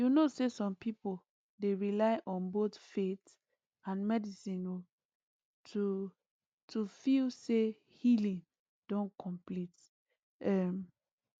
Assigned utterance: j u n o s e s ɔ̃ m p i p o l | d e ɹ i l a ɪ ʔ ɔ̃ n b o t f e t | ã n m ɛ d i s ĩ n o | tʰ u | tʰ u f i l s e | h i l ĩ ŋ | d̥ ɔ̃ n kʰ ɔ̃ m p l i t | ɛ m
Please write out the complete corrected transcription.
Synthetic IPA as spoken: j u n o s e s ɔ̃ m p i p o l | d e ɹ i l a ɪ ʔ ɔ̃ n b o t f e t | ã n m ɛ d i s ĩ n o | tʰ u | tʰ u f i l s e | h i l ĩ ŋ | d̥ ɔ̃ n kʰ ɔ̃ m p l i t | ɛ m